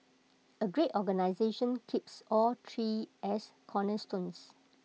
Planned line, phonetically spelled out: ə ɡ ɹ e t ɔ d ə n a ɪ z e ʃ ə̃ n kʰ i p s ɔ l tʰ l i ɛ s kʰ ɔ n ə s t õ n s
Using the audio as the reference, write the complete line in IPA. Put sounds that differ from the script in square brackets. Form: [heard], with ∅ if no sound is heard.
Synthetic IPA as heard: ə ɡ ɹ e t ɔ [ɡ] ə n a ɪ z e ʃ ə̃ n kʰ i p s ɔ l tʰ [ɹ] i ɛ s kʰ ɔ n ə s t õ n s